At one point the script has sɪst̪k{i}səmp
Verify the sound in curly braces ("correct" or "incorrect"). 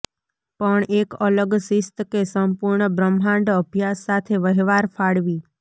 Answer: incorrect